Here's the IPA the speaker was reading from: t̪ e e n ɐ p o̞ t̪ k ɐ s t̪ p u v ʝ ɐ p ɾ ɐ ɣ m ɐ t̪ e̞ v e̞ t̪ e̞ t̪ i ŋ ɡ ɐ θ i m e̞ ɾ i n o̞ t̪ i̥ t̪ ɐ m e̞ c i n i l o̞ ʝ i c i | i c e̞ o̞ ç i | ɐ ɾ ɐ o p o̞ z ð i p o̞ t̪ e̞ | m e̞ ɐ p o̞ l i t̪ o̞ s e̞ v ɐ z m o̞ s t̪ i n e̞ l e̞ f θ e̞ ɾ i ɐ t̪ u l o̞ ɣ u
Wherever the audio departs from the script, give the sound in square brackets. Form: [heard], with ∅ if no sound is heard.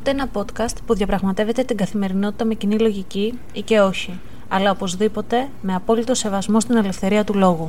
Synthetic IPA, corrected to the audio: t̪ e e n ɐ p o̞ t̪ k ɐ s t̪ p u [ð] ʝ ɐ p ɾ ɐ ɣ m ɐ t̪ e̞ v e̞ t̪ e̞ t̪ i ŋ ɡ ɐ θ i m e̞ ɾ i n o̞ t̪ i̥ t̪ ɐ m e̞ c i n i l o̞ ʝ i c i | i c e̞ o̞ ç i | ɐ [l] ɐ o p o̞ z ð i p o̞ t̪ e̞ | m e̞ ɐ p o̞ l i t̪ o̞ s e̞ v ɐ z m o̞ s t̪ i n e̞ l e̞ f θ e̞ ɾ i ɐ t̪ u l o̞ ɣ u